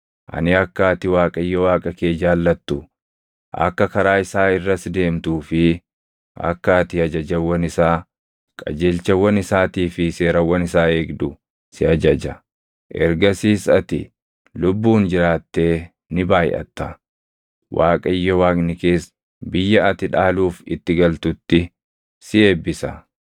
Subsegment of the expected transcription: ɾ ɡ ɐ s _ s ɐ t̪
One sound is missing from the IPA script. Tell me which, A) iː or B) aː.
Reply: A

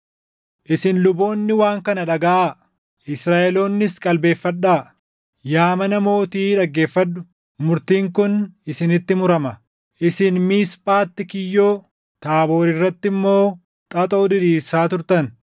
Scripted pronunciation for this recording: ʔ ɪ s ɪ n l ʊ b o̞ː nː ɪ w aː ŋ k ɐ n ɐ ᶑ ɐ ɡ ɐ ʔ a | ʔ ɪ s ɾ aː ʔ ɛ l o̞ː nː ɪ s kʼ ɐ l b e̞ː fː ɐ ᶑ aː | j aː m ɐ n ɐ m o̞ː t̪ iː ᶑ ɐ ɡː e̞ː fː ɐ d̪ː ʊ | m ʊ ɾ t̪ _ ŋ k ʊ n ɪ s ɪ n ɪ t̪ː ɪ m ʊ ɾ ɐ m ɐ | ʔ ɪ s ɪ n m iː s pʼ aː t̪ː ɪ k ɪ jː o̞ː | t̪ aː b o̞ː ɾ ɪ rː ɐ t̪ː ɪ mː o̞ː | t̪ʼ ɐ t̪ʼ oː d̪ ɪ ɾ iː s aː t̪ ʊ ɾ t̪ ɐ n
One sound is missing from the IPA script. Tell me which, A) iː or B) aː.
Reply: A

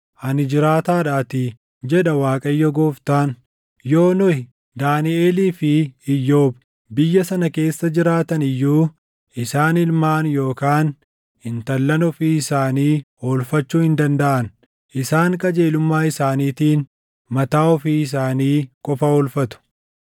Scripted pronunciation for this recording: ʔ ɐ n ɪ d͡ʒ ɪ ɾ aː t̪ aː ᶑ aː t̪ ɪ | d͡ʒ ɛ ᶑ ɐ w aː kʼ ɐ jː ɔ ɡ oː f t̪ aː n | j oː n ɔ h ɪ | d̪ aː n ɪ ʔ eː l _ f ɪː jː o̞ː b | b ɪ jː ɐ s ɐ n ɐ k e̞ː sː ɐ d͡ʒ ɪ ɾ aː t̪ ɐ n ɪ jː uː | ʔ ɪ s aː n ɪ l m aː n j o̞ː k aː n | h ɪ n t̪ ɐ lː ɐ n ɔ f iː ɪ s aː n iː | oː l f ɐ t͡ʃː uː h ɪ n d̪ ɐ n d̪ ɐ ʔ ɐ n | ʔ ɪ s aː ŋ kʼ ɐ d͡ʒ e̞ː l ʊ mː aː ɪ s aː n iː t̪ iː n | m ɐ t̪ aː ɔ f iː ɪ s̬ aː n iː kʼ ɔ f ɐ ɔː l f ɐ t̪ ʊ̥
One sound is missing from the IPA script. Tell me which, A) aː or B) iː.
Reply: B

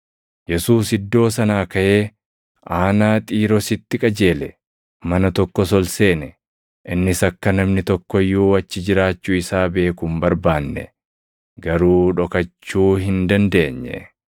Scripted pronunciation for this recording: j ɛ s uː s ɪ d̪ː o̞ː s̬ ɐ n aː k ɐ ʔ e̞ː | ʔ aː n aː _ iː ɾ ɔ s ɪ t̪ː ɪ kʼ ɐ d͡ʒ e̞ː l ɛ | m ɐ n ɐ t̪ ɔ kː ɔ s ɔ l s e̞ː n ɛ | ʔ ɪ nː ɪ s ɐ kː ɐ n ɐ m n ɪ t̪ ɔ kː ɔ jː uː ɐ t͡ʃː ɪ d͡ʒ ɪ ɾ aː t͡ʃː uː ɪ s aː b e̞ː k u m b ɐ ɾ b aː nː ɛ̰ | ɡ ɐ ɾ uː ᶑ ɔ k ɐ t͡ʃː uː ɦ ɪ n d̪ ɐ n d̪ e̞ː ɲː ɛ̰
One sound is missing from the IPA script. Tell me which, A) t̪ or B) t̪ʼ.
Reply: B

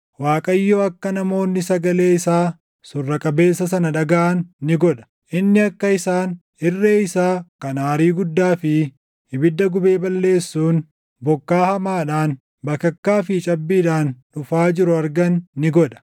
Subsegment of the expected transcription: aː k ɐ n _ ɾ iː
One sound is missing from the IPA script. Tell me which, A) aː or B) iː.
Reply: A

